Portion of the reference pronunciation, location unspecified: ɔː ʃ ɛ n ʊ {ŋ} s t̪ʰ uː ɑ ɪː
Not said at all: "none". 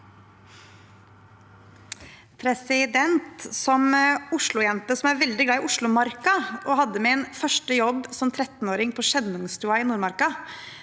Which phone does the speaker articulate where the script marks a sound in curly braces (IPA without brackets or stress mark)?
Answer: ŋ